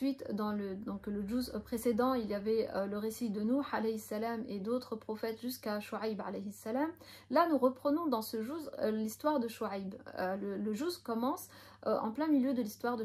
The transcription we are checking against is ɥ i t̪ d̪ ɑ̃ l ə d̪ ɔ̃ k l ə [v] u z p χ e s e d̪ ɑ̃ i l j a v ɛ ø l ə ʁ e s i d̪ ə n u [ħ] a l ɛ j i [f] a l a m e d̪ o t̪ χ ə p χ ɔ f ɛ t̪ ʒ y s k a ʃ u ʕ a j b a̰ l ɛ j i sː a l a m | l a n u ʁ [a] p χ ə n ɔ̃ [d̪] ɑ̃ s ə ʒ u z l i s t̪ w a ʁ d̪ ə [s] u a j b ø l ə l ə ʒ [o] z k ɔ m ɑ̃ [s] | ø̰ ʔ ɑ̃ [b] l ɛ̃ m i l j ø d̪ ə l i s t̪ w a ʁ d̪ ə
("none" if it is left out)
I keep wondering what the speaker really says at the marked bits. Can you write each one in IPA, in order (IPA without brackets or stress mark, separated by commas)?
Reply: ʒ, ħ, s, ə, d̪, ʃ, u, s, p